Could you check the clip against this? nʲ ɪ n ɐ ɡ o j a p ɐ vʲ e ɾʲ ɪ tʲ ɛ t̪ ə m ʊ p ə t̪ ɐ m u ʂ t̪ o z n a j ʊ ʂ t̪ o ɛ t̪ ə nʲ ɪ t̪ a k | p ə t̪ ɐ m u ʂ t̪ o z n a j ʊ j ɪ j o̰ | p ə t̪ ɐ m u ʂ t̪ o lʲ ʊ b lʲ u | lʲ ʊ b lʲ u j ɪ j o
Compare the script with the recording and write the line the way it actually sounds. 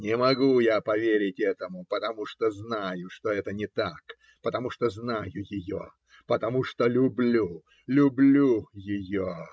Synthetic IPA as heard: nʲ ɪ m ɐ ɡ u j a p ɐ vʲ e ɾʲ ɪ tʲ ɛ t̪ ə m ʊ p ə t̪ ɐ m u ʂ t̪ o z n a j ʊ ʂ t̪ o ɛ t̪ ə nʲ ɪ t̪ a k | p ə t̪ ɐ m u ʂ t̪ o z n a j ʊ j ɪ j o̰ | p ə t̪ ɐ m u ʂ t̪ o lʲ ʊ b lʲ u | lʲ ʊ b lʲ u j ɪ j o